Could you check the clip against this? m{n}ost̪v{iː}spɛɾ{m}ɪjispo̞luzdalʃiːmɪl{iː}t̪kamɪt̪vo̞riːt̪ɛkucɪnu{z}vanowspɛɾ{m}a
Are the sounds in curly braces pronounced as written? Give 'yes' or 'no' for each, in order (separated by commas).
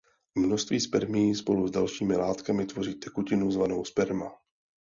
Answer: yes, yes, yes, no, yes, yes